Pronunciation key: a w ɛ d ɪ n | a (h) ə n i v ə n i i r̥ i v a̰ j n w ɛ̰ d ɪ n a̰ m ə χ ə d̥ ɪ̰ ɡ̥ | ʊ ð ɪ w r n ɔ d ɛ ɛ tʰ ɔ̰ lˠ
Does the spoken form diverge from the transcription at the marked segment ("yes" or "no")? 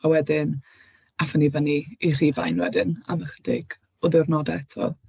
yes